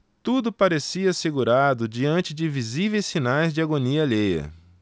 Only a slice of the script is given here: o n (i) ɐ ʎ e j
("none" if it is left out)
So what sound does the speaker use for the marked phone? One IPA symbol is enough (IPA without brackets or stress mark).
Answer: i